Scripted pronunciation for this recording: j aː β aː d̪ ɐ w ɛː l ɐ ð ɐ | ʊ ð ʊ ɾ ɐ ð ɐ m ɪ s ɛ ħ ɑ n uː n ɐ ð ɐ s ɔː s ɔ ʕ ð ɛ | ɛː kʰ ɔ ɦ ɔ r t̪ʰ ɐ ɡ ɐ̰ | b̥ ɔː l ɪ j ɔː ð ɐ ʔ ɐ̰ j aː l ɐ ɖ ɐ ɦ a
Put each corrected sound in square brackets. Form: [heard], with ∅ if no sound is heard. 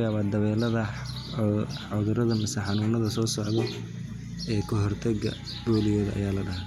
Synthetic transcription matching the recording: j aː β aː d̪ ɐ [β] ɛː l ɐ ð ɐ | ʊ ð ʊ ɾ ɐ ð ɐ m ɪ s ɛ ħ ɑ n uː n ɐ ð ɐ s ɔː s ɔ ʕ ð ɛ | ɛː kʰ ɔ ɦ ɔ r t̪ʰ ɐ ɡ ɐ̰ | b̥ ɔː l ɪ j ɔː ð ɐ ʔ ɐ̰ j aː l ɐ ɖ ɐ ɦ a